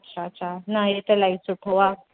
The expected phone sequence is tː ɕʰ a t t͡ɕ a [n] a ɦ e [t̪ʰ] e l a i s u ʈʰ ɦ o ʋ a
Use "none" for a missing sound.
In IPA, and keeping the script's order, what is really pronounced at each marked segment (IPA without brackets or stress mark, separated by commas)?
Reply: n, t̪